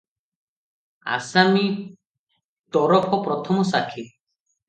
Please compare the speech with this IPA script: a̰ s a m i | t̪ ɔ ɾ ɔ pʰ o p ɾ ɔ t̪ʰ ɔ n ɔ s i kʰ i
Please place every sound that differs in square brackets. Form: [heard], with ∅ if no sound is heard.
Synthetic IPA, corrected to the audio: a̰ s a m i | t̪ ɔ ɾ ɔ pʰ [ɔ] p ɾ ɔ t̪ʰ ɔ [m] ɔ s [a] kʰ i